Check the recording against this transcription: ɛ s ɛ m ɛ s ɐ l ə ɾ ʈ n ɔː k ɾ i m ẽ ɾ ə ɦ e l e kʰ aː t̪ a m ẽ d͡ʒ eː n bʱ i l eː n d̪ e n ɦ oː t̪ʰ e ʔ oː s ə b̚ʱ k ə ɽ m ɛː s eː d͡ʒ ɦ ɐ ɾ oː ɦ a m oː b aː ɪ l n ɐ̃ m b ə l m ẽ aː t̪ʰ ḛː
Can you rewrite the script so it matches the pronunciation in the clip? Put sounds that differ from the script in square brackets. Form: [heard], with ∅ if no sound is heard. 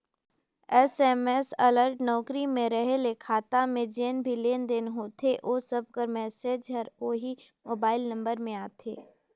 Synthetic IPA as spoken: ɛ s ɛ m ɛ s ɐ l ə ɾ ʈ n ɔː k ɾ i m ẽ ɾ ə ɦ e l e kʰ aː t̪ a m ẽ d͡ʒ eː n bʱ i l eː n d̪ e n ɦ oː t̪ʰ e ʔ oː s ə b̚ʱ k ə [ɾ] m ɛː s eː d͡ʒ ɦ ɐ ɾ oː ɦ [i] m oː b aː ɪ l n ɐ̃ m b ə [ɾ] m ẽ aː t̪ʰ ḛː

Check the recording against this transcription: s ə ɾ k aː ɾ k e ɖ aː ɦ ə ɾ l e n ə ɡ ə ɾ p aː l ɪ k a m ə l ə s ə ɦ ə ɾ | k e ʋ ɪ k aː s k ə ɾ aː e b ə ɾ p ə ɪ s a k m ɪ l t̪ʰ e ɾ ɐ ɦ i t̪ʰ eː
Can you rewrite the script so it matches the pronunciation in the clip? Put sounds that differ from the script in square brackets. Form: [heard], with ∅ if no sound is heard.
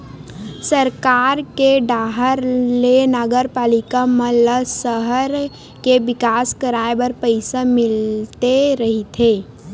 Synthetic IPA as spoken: s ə ɾ k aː ɾ k e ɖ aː ɦ ə ɾ l e n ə ɡ ə ɾ p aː l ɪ k a m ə l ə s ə ɦ ə ɾ | k e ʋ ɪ k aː s k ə ɾ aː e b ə ɾ p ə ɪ s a [∅] m ɪ l [t̪] e ɾ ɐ ɦ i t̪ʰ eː

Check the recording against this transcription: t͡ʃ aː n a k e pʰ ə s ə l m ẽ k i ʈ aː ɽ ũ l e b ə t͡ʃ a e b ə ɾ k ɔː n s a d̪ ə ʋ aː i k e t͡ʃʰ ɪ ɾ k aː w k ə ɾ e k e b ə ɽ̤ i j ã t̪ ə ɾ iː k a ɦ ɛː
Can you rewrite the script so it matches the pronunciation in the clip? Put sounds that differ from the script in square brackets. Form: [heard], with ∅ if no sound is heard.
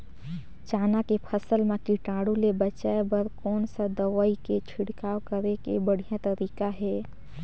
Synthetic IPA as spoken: t͡ʃ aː n a k e pʰ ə s ə l m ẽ k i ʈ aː ɽ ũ l e b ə t͡ʃ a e b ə ɾ k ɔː n s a d̪ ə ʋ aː i k e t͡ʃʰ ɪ [ɽ] k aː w k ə ɾ e k e b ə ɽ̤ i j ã t̪ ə ɾ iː k a ɦ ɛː

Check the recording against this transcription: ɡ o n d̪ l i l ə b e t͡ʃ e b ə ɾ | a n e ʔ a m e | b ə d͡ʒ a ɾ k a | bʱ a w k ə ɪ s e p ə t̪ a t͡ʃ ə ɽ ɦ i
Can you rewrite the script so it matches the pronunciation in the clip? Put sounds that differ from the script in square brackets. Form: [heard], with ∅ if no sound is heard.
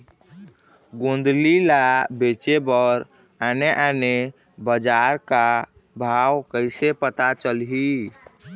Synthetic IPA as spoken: ɡ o n d̪ l i l [a] b e t͡ʃ e b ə ɾ | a n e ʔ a [n] e | b ə d͡ʒ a ɾ k a | bʱ a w k ə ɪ s e p ə t̪ a t͡ʃ ə [l] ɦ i

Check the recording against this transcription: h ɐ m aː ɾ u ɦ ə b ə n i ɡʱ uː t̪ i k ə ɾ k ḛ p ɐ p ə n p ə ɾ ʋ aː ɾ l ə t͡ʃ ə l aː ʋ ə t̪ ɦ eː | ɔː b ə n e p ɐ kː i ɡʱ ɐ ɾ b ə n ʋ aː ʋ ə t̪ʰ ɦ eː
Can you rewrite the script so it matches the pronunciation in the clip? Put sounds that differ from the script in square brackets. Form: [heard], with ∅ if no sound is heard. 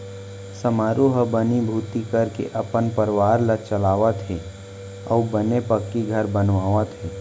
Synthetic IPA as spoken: [s] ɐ m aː ɾ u ɦ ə b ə n i [bʱ] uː t̪ i k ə ɾ k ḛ [ʔ] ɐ p ə n p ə ɾ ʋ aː ɾ l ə t͡ʃ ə l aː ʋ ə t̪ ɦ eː | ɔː b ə n e p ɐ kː i ɡʱ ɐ ɾ b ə n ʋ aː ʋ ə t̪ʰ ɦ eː

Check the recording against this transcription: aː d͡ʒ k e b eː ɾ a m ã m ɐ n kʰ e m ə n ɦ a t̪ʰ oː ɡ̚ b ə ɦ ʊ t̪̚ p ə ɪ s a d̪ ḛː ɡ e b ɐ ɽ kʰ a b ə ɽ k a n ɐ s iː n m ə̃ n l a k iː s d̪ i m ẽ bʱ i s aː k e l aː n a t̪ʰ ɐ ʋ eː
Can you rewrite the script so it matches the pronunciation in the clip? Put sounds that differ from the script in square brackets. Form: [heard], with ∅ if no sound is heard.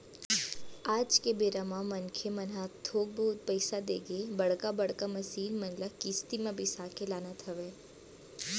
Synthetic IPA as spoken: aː d͡ʒ k e b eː ɾ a m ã m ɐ n kʰ e m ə n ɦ a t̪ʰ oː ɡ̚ b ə ɦ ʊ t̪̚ p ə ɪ s a d̪ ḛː ɡ e b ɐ ɽ [k] a b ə ɽ k a [m] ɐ s iː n m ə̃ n l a k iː s [t̪] i m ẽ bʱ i s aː k e l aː n a t̪ʰ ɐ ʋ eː

